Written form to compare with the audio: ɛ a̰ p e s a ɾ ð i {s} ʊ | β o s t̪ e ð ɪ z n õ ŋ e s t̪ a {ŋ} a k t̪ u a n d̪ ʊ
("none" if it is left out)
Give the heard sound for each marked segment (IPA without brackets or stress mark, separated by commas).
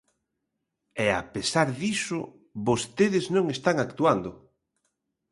s, ŋ